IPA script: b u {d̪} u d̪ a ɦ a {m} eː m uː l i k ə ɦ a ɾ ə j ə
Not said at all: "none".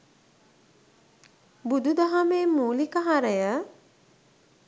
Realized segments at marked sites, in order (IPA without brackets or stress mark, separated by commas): d̪, m